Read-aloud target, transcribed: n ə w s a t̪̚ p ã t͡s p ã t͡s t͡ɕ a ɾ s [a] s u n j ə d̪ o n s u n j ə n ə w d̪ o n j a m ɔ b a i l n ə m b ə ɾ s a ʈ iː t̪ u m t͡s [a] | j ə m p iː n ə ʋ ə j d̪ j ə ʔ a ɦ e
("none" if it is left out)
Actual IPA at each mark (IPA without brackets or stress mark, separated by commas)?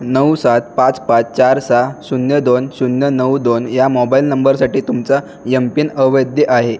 a, a